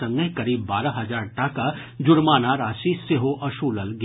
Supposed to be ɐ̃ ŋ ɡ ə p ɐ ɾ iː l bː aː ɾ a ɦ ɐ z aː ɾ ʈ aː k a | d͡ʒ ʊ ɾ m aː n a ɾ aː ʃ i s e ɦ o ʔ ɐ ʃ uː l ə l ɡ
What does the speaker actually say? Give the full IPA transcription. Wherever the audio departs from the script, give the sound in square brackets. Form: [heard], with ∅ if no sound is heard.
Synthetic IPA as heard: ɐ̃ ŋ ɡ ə [k] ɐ ɾ iː [∅] bː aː ɾ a ɦ ɐ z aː ɾ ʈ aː k a | d͡ʒ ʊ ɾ m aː n a ɾ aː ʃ i s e ɦ o ʔ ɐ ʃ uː l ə l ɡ